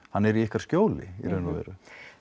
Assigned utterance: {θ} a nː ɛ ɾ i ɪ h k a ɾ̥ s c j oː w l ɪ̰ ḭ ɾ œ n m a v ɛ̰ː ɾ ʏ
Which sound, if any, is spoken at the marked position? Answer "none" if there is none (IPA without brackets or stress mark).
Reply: h